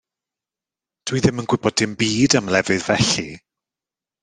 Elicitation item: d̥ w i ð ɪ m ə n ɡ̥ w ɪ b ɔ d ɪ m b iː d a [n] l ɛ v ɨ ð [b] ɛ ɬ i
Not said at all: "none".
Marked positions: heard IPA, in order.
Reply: m, v

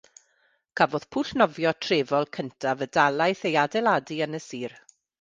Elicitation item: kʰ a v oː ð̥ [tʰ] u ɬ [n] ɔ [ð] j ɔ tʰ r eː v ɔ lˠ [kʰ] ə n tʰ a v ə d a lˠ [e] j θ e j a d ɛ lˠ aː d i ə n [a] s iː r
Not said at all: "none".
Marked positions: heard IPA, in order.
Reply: pʰ, n, v, kʰ, a, ə

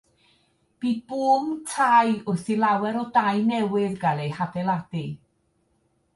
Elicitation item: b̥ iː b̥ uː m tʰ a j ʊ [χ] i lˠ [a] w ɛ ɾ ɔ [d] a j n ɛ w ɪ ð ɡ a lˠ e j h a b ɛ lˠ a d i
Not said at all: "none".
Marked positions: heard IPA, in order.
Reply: θ, a, d

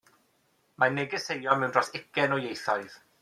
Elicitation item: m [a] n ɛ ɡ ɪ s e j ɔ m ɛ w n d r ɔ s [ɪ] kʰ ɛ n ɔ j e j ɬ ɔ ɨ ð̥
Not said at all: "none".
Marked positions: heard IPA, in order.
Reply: a, ɪ

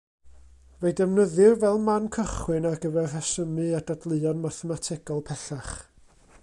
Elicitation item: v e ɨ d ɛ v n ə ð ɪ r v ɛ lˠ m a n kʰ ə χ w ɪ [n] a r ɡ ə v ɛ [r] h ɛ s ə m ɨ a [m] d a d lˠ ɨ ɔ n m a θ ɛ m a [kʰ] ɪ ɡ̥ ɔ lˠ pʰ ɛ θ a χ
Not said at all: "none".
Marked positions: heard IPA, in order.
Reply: n, r, none, tʰ

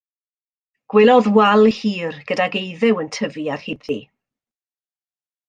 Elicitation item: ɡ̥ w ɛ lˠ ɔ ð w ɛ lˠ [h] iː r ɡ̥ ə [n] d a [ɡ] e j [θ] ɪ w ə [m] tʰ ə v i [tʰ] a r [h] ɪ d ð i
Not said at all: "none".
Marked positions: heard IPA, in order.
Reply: h, none, ɡ, ð, n, none, h

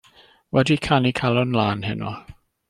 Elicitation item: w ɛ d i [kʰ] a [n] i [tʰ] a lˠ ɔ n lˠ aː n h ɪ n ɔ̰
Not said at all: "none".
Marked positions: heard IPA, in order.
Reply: kʰ, n, kʰ

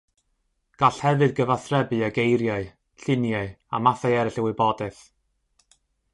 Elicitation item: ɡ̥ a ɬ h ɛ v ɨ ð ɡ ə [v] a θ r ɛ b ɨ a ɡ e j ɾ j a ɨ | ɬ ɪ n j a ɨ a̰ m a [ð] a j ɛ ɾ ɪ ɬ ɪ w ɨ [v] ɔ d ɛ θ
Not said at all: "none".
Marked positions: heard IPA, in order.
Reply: v, θ, b

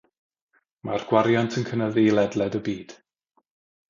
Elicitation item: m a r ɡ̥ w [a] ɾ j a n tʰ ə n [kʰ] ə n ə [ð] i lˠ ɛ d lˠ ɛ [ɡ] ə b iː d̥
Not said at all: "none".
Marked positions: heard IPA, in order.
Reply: a, kʰ, ð, d

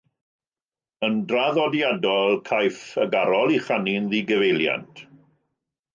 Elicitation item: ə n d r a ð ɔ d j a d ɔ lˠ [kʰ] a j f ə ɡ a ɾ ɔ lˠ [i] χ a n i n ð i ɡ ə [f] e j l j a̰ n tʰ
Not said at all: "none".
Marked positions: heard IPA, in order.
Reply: kʰ, i, v

